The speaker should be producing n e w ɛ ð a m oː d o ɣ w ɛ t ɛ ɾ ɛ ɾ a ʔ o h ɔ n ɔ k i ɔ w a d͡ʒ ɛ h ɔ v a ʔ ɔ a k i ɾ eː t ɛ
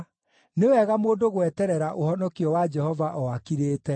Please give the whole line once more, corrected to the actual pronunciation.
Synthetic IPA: n e w ɛ ɣ a m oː d o ɣ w ɛ t ɛ ɾ ɛ ɾ a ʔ o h ɔ n ɔ k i ɔ w a d͡ʒ ɛ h ɔ v a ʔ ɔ a k i ɾ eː t ɛ